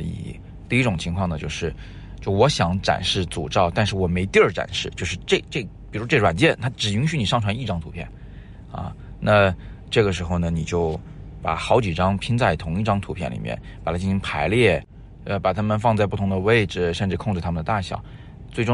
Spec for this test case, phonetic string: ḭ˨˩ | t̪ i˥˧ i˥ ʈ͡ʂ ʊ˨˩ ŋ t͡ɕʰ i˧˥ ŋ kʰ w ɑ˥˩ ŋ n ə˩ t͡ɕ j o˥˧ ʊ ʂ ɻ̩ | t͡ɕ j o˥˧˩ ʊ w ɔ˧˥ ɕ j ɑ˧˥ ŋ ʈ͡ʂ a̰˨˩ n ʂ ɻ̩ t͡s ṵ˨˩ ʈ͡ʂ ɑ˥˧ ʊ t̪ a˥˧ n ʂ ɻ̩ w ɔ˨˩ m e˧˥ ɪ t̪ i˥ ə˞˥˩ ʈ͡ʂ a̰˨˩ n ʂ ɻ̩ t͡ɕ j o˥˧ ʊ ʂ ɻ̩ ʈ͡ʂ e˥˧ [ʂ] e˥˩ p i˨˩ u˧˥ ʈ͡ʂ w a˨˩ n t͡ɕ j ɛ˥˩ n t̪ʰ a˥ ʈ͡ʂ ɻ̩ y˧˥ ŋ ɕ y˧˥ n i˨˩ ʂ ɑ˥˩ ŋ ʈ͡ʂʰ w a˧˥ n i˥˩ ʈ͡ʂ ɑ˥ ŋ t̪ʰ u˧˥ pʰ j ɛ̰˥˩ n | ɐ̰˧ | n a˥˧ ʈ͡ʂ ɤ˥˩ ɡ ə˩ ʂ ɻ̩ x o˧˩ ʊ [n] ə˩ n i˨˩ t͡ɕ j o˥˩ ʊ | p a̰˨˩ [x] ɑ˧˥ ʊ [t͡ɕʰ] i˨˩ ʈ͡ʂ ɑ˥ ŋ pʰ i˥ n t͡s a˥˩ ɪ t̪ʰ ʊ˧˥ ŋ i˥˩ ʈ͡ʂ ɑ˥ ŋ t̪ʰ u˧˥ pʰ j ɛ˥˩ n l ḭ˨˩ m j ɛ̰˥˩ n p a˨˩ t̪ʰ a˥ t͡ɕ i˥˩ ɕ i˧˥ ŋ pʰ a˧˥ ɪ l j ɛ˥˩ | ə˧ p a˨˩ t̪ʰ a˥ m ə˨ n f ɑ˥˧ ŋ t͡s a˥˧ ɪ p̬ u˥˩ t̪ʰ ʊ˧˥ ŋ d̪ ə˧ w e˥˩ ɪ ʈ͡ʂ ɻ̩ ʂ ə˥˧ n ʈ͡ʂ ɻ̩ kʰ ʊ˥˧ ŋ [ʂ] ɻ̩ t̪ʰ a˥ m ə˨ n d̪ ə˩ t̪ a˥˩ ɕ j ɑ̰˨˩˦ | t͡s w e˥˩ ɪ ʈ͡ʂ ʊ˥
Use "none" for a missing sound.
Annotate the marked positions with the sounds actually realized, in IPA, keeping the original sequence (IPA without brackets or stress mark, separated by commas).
ʈ͡ʂ, n, x, t͡ɕ, ʈ͡ʂ